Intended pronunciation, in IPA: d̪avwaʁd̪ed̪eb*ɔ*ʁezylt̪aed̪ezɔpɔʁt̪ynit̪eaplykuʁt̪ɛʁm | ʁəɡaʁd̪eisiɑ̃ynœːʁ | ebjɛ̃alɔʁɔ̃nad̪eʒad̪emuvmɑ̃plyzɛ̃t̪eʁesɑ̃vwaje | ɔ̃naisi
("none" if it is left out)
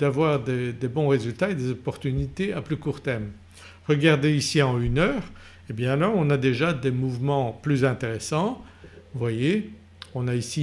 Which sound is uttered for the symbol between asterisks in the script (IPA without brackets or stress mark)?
ɔ̃